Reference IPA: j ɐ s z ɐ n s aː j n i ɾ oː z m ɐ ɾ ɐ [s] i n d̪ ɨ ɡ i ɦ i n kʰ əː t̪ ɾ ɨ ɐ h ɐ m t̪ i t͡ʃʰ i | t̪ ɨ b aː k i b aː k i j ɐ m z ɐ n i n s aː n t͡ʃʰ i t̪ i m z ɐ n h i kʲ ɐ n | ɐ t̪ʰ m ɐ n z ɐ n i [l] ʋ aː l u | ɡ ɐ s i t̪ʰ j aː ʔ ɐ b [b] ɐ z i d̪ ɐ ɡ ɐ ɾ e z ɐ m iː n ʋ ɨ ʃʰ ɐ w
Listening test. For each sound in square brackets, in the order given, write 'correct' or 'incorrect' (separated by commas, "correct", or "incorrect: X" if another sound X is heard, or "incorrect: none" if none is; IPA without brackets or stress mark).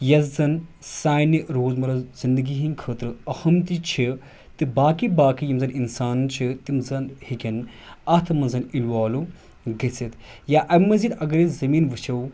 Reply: incorrect: z, correct, incorrect: m